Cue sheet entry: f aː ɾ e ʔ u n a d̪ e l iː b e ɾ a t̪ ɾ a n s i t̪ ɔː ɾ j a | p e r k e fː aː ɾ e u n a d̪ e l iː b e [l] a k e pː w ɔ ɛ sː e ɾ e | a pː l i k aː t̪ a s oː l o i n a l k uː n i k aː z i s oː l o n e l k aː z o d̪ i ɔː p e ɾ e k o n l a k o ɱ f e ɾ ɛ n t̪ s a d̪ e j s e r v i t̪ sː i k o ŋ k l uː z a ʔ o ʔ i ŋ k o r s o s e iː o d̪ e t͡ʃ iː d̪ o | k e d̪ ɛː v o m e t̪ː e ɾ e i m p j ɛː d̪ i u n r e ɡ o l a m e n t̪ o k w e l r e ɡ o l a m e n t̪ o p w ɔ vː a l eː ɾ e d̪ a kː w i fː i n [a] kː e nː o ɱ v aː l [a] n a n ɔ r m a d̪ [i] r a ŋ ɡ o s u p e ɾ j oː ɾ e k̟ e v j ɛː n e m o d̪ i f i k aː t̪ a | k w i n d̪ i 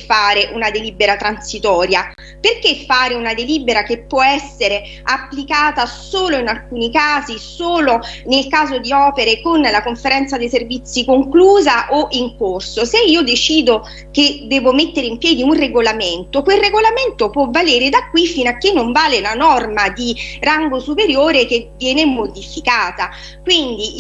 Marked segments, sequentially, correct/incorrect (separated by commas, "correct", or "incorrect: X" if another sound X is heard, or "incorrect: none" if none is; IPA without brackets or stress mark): incorrect: ɾ, correct, incorrect: e, correct